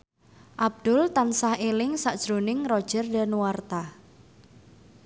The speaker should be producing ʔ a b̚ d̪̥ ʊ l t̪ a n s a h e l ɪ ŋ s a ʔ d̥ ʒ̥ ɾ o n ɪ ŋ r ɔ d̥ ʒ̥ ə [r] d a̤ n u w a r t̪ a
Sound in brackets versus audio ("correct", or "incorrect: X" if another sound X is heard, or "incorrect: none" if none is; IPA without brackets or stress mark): correct